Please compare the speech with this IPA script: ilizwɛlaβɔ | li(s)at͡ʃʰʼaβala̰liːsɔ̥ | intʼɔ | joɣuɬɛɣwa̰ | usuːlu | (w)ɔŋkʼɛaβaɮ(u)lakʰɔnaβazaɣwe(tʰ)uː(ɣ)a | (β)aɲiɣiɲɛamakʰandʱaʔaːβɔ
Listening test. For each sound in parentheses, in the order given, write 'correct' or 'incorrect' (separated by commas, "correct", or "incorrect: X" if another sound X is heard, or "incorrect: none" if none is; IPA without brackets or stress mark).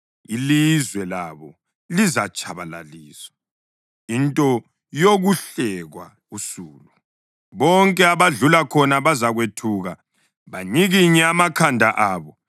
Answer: incorrect: z, incorrect: β, correct, correct, correct, correct